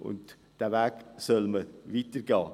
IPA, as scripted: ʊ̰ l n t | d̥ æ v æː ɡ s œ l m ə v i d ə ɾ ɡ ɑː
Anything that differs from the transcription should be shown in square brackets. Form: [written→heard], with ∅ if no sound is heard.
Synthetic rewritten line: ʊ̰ [l→∅] n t | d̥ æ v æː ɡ s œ l m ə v i [d→t] ə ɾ ɡ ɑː